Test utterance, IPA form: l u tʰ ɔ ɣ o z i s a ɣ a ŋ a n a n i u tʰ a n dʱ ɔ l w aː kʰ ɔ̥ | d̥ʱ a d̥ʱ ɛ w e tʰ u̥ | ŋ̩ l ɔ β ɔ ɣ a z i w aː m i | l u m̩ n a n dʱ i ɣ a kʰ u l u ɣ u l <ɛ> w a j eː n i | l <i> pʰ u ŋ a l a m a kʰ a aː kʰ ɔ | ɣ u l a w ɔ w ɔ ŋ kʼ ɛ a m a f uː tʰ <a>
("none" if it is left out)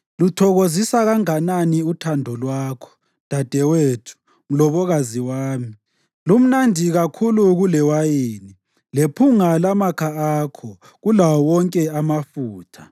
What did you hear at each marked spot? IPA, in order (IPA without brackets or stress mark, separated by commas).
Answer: ɛ, e, a